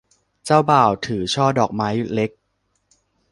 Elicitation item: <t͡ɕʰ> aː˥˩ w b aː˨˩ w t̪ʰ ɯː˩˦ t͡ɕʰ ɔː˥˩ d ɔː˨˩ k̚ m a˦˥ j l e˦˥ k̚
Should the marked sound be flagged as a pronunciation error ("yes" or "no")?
yes